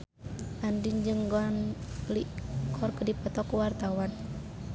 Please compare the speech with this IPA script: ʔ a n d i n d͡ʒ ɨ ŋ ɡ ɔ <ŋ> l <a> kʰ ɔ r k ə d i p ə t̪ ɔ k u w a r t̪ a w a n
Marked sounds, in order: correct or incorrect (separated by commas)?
incorrect, incorrect